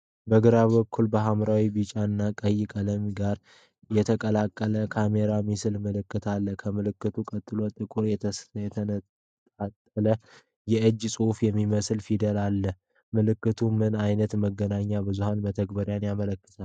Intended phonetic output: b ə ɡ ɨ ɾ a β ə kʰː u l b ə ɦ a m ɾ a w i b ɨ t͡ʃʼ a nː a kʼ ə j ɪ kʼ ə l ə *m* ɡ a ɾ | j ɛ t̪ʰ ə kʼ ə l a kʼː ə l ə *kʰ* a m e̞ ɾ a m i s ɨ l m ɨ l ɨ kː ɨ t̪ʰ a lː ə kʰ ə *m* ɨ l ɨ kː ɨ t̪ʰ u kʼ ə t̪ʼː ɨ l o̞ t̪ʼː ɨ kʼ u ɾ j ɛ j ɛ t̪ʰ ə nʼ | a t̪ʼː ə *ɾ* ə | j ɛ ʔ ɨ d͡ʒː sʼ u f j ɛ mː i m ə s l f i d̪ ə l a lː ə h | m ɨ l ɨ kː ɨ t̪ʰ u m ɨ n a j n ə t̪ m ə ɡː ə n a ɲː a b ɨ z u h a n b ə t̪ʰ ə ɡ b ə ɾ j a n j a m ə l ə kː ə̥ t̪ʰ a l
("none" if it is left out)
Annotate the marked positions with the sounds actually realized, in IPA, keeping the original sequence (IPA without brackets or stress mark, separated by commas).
m, kʰ, m, l